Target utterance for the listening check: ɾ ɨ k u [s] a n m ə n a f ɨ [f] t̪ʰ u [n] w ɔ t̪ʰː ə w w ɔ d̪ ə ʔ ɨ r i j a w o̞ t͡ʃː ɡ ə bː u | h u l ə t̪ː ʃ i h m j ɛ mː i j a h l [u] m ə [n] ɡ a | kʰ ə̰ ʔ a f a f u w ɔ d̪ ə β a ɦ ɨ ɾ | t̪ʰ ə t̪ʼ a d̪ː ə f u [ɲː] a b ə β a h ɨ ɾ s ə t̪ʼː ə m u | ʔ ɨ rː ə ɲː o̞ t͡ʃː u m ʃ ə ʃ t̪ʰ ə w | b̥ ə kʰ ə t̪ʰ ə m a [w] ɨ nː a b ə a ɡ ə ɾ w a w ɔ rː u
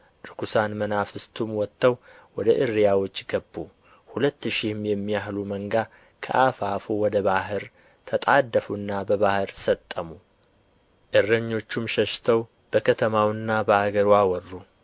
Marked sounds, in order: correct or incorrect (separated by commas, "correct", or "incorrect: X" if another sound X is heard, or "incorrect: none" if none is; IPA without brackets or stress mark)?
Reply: correct, incorrect: s, incorrect: m, correct, incorrect: ŋ, incorrect: nː, correct